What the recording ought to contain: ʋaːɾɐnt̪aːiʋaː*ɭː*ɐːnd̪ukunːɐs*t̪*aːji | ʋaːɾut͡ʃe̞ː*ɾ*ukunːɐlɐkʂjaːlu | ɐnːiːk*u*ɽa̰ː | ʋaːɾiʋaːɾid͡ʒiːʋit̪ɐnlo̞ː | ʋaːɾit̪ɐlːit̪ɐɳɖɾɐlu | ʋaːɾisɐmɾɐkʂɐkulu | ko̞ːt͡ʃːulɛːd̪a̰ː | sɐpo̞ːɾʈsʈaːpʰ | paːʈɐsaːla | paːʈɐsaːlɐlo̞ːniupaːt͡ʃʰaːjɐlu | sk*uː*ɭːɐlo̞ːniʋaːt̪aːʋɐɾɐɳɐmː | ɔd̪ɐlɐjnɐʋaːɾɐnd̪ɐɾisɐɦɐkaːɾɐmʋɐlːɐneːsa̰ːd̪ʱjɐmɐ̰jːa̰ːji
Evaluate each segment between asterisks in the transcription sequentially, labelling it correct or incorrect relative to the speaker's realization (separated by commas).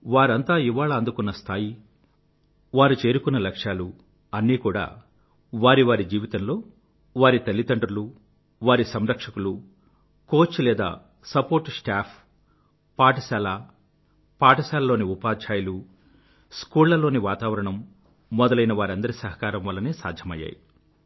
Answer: incorrect, incorrect, correct, incorrect, correct